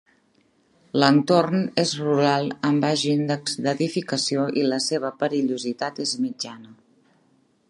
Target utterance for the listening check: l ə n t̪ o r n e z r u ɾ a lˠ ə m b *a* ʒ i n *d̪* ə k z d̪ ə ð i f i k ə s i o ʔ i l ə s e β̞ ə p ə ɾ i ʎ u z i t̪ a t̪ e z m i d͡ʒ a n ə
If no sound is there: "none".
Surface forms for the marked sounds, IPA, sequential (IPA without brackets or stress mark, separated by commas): a, d̪